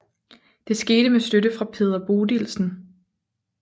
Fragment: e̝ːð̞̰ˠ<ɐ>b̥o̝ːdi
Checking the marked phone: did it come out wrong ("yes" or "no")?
no